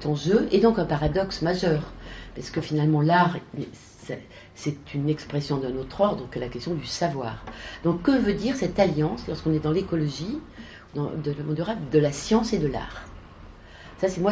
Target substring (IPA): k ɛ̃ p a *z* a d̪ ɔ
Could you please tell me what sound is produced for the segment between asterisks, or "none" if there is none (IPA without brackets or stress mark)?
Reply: ʁ